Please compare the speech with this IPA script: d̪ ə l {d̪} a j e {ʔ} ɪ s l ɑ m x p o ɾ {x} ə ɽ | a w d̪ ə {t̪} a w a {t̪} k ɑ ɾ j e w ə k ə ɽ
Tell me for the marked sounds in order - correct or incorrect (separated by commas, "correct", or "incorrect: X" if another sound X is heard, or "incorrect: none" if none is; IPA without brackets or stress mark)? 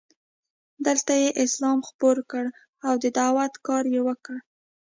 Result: incorrect: t̪, correct, incorrect: k, incorrect: d̪, correct